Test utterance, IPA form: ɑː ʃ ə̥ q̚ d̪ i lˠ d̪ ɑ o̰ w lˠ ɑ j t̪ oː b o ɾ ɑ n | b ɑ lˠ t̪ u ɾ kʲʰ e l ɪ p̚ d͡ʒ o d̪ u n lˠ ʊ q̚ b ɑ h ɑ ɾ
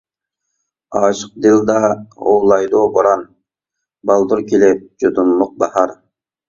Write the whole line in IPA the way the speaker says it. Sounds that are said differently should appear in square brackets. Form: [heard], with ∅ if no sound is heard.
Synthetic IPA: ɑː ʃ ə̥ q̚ d̪ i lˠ d̪ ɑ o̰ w lˠ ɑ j [d̪] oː b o ɾ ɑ n | b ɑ lˠ [d̪] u ɾ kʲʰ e l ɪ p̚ d͡ʒ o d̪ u n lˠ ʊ q̚ b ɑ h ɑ ɾ